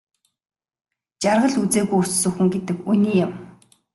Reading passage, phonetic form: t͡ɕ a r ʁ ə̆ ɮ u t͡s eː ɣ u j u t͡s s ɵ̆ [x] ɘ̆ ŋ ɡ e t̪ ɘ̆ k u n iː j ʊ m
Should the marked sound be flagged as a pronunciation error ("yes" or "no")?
no